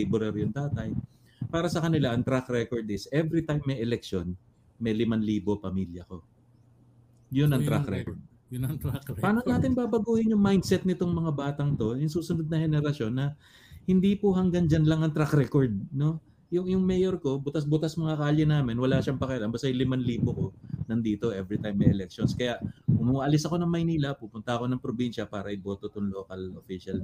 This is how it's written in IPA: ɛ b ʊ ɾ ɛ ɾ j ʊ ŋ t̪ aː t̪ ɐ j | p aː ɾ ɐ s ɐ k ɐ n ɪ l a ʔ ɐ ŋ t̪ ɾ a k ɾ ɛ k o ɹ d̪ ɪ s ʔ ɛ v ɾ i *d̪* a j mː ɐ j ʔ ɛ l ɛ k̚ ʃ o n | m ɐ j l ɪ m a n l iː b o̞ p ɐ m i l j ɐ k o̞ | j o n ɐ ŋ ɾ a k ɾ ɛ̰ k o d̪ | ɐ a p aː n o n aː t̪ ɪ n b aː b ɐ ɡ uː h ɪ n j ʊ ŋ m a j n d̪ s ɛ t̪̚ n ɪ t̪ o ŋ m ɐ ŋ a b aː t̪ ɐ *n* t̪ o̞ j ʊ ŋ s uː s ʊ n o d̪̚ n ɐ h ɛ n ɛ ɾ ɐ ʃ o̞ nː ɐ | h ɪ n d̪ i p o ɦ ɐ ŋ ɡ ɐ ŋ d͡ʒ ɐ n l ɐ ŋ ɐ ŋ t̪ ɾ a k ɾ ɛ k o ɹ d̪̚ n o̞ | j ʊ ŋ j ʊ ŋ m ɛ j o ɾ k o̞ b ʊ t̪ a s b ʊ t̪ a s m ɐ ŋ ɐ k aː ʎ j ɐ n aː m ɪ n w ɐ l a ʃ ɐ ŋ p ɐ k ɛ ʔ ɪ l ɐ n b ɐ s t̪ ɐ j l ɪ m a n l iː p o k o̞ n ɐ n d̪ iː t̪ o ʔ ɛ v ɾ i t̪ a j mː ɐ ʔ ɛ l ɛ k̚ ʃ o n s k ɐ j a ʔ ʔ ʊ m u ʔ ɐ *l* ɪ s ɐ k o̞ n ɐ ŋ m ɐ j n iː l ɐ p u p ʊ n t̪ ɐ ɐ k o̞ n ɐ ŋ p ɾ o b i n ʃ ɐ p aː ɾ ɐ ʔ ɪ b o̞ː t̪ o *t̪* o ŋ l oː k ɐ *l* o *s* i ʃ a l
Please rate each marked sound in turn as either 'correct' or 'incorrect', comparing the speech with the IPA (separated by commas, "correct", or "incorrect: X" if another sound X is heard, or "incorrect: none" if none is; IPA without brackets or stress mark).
incorrect: t̪, incorrect: ŋ, correct, correct, correct, incorrect: f